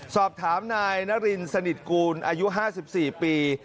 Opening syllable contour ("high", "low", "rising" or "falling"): low